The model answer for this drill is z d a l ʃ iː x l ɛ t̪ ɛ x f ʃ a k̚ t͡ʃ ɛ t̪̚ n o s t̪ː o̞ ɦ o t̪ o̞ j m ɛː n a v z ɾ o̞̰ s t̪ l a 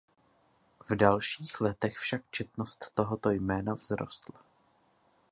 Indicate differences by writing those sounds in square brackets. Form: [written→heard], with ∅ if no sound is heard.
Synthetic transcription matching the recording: [z→v] d a l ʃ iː x l ɛ t̪ ɛ x f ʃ a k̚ t͡ʃ ɛ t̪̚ n o s t̪ː o̞ ɦ o t̪ o̞ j m ɛː n a v z ɾ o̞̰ s t̪ l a